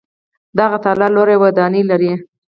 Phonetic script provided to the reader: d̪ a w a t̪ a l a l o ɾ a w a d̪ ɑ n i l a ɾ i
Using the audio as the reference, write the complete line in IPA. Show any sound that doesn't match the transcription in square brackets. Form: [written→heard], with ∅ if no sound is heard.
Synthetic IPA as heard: d̪ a [w→ɣ] a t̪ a l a l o ɾ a w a d̪ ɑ n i l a ɾ i